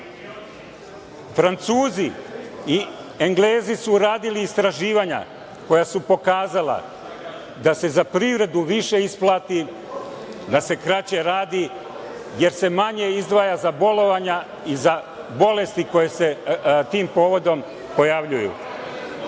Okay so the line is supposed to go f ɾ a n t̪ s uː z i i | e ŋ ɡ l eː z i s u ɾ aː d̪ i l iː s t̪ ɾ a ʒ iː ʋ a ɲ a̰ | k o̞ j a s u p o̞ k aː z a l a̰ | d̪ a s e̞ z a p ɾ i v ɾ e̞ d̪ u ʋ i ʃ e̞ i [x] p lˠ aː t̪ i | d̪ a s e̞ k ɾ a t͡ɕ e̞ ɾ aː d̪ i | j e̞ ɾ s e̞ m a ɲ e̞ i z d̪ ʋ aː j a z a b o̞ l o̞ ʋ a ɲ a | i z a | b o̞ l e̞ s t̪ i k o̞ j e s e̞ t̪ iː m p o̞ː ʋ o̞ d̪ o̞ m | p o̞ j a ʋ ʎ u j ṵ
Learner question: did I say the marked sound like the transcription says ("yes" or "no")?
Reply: no